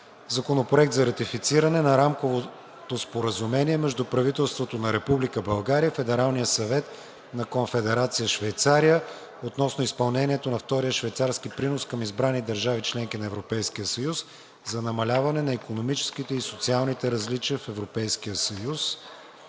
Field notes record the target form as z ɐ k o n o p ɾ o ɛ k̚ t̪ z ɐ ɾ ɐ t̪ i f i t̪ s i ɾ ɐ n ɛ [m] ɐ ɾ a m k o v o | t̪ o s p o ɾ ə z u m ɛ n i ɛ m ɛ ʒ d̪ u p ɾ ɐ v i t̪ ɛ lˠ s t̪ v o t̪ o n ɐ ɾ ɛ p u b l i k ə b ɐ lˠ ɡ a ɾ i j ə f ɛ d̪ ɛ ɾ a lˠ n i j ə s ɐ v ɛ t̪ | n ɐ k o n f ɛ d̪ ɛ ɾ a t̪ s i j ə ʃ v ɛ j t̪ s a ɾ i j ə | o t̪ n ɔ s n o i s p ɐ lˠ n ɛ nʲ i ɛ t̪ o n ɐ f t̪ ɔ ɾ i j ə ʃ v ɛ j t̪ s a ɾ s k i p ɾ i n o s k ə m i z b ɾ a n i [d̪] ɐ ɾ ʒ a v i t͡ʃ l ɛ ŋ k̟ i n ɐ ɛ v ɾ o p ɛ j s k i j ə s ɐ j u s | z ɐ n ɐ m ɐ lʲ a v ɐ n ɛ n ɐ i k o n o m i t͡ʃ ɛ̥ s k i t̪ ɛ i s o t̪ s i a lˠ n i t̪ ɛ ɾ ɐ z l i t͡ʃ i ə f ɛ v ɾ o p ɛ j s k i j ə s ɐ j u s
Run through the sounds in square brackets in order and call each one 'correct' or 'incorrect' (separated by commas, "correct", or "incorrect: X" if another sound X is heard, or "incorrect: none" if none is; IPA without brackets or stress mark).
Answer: incorrect: n, correct